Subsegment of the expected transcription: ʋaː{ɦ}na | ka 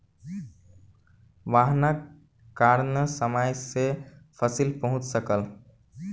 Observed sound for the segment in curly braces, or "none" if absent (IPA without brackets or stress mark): ɦ